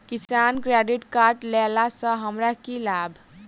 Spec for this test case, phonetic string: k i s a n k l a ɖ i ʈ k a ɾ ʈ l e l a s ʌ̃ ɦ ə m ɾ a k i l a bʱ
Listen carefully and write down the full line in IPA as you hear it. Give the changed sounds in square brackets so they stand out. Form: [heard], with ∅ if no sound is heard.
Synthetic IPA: k i s a n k [ɾ] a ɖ i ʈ k a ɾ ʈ l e l a s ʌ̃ ɦ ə m ɾ a k i l a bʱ